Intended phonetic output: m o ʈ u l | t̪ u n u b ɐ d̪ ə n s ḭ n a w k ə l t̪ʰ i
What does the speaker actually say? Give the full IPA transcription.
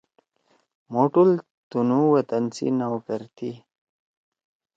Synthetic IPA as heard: m o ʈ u l | t̪ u n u w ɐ t̪ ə n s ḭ n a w k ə ɾ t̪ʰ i